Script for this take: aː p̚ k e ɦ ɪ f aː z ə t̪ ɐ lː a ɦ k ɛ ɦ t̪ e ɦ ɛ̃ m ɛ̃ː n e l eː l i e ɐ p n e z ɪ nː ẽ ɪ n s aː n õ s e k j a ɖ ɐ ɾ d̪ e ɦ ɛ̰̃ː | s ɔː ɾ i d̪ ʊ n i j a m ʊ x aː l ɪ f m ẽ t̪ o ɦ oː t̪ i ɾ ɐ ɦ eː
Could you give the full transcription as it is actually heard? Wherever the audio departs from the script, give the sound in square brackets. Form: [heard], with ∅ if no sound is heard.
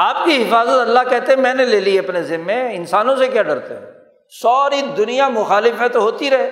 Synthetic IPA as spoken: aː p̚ k [i] ɦ ɪ f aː z ə t̪ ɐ lː a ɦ k ɛ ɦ t̪ e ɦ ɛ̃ m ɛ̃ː n e l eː l i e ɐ p n e z ɪ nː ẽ ɪ n s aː n õ s e k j a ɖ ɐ ɾ [t̪] e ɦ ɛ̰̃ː | s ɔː ɾ i d̪ ʊ n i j a m ʊ x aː l ɪ f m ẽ t̪ o ɦ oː t̪ i ɾ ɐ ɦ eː